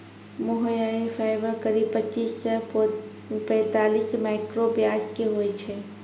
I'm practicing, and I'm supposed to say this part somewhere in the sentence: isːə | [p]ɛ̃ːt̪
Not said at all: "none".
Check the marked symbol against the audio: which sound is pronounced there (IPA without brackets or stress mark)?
p